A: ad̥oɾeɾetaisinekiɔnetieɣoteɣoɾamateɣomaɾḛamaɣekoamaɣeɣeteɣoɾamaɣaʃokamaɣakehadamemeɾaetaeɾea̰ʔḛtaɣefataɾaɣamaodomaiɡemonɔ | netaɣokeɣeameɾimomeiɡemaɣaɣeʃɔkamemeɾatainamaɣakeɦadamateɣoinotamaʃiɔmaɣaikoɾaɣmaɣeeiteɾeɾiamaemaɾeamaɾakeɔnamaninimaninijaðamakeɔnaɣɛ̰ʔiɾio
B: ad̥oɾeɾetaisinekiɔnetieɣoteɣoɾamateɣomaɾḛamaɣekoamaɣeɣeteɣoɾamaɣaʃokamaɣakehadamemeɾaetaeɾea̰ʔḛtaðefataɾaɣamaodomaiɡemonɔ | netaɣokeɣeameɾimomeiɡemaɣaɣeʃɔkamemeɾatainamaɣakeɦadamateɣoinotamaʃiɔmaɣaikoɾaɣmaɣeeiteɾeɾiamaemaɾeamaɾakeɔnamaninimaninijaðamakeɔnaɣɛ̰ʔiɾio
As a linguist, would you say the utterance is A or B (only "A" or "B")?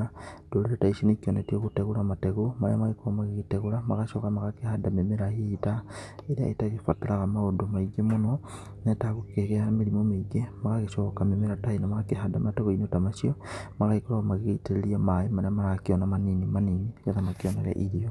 A